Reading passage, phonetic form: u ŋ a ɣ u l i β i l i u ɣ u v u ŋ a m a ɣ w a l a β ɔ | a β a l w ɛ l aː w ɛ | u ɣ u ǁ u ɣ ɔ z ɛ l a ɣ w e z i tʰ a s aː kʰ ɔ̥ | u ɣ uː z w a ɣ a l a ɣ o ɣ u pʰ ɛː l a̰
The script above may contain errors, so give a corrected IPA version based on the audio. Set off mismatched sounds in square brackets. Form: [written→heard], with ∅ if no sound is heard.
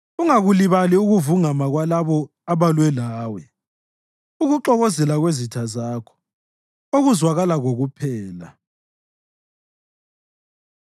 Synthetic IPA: u ŋ a ɣ u l i β [i→a] l i u ɣ u v u ŋ a m a ɣ w a l a β ɔ | a β a l w ɛ l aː w ɛ | u ɣ u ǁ [u→ɔ] ɣ ɔ z ɛ l a ɣ w e z i tʰ a [s→z] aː kʰ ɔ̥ | [u→o] ɣ [uː→u] z w a ɣ a l a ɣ o ɣ u pʰ ɛː l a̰